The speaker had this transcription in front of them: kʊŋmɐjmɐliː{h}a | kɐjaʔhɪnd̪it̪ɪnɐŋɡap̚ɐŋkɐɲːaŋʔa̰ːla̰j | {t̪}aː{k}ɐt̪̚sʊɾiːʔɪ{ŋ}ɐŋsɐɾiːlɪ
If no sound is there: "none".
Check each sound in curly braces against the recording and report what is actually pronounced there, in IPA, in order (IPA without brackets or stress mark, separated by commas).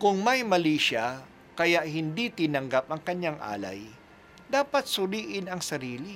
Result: ʃ, d̪, p, n